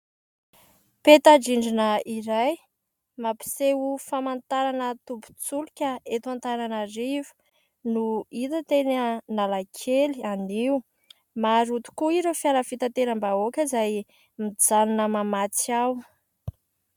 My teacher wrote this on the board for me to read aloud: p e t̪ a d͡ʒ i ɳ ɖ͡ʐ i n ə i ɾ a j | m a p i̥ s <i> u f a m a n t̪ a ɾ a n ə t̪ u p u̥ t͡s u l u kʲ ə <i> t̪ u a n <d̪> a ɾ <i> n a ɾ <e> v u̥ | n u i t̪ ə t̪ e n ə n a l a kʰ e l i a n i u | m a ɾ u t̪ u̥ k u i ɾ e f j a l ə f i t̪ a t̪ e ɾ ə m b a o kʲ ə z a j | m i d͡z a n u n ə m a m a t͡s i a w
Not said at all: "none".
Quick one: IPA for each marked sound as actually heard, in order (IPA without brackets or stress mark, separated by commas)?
e, e, t̪, a, i